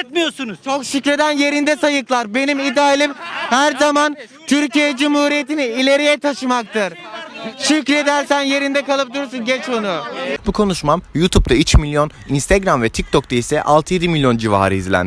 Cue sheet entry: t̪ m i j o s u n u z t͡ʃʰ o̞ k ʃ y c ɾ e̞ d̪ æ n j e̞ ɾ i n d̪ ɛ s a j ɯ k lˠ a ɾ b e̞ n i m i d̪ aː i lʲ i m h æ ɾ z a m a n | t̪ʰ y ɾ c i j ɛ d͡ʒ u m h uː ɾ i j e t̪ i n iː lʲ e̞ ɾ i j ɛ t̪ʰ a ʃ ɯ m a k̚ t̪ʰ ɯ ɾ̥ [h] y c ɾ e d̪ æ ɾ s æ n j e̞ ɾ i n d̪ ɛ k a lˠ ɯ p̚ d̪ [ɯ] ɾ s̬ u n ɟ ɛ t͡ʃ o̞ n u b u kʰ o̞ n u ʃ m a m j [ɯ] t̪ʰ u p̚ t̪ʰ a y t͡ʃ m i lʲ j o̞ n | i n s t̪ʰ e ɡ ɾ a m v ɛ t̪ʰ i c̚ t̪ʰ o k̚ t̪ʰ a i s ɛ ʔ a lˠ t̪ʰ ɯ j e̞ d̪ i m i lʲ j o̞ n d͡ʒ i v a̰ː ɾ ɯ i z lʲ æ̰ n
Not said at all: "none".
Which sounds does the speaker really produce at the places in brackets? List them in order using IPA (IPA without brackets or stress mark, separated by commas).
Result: ʃ, u, u